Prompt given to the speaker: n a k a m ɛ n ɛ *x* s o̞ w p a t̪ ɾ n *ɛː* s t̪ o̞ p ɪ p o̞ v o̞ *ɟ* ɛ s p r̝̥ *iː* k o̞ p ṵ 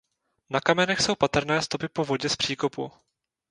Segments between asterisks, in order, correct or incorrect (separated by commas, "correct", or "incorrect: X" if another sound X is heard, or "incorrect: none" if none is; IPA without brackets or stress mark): correct, correct, correct, correct